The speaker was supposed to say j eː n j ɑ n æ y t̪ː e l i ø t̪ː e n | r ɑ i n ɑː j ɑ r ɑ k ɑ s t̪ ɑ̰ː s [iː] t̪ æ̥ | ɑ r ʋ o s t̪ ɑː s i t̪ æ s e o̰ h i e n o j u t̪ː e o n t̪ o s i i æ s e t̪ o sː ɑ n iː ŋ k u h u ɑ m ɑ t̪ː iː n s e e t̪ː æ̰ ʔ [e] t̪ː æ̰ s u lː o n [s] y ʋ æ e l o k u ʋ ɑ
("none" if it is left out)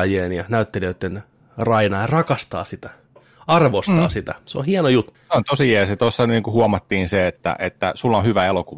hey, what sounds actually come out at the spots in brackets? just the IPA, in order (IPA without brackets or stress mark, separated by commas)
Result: i, e, h